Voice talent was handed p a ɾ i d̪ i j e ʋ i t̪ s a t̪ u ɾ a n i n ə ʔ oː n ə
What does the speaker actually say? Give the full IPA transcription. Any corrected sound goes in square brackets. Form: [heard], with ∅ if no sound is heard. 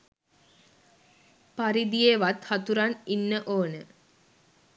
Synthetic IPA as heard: p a ɾ i d̪ i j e ʋ [a] t̪ [h] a t̪ u ɾ a n i [nː] ə ʔ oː n ə